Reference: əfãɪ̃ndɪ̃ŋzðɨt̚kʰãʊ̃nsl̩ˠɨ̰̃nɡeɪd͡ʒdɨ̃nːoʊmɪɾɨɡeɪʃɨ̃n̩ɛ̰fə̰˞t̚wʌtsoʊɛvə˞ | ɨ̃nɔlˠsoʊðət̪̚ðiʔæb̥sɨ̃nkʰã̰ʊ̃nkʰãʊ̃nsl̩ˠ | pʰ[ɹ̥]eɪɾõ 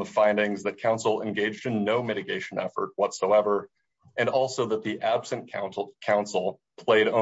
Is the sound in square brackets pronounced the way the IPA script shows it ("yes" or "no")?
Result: no